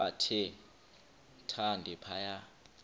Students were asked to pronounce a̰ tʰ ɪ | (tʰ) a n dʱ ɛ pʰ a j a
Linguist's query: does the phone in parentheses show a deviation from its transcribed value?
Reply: no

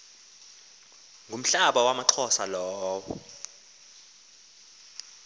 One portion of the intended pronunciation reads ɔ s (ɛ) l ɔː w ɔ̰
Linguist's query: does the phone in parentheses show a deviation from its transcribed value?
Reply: yes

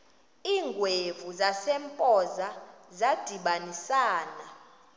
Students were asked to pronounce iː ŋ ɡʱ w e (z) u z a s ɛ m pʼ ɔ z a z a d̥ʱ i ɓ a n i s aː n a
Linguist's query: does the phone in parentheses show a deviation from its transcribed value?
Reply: yes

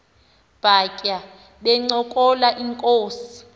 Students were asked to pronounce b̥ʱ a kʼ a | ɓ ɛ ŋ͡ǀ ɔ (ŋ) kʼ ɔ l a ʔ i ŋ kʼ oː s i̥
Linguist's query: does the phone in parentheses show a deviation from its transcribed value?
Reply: yes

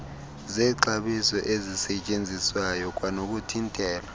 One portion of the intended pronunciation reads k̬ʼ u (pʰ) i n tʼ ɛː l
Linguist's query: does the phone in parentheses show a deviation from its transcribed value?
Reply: yes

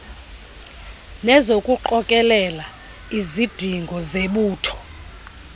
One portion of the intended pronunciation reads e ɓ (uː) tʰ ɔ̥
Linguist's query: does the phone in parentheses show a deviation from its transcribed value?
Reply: no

